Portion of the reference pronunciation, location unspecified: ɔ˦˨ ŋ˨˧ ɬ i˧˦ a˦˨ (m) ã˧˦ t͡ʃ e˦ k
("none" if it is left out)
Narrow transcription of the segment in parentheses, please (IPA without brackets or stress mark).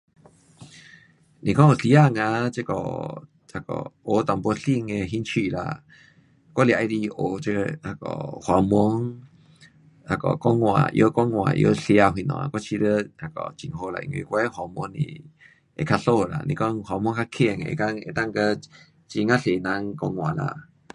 ŋ